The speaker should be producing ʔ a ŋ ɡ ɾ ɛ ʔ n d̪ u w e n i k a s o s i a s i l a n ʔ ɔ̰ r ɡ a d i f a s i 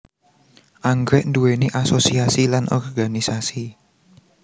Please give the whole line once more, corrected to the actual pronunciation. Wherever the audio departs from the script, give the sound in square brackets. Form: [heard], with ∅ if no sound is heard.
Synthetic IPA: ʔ a ŋ ɡ ɾ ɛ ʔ n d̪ u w e n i [ʔ] a s o s i a s i l a n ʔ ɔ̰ r ɡ a [n] i [s] a s i